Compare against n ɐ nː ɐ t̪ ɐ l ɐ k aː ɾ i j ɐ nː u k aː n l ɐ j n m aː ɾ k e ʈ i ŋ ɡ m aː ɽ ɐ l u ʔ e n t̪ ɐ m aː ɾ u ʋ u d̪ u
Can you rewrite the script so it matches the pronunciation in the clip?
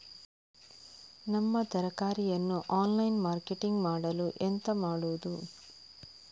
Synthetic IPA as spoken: n ɐ mː ɐ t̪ ɐ ɾ ɐ k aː ɾ i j ɐ nː u ʔ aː n l ɐ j n m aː ɾ k e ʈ i ŋ ɡ m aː ɽ ɐ l u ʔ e n t̪ ɐ m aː ɽ u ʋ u d̪ u

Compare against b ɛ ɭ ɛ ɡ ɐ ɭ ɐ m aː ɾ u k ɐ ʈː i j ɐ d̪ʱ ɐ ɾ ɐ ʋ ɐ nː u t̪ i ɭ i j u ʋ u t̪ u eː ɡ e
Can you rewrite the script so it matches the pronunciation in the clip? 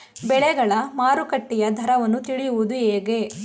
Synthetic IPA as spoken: b ɛ ɭ ɛ ɡ ɐ ɭ ɐ m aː ɾ u k ɐ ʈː i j ɐ d̪ʱ ɐ ɾ ɐ ʋ ɐ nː u t̪ i ɭ i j u ʋ u d̪ u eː ɡ e

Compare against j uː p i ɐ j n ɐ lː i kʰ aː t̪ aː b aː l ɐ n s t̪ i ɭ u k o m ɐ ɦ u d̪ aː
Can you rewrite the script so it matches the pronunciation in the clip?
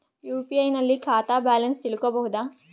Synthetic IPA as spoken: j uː p i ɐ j n ɐ lː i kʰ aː t̪ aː b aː l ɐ n s t̪ i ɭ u k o b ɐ ɦ u d̪ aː

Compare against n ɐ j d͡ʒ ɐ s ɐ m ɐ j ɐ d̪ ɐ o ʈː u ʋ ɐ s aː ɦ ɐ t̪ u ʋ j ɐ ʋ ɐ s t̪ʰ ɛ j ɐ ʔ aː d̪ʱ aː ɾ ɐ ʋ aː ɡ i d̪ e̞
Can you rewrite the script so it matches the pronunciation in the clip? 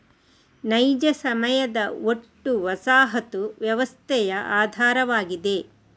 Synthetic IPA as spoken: n ɐ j d͡ʒ ɐ s ɐ m ɐ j ɐ d̪ ɐ o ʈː u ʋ ɐ s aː ɦ ɐ t̪ u ʋ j ɐ ʋ ɐ s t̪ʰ ɛ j ɐ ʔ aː d̪ʱ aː ɾ ɐ ʋ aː ɡ i d̪ e̞

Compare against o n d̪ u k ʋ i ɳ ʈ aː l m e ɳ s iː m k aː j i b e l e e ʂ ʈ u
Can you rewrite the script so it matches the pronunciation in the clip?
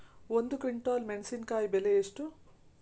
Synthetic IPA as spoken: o n d̪ u k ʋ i ɳ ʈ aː l m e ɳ s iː n k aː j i b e l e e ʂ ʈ u

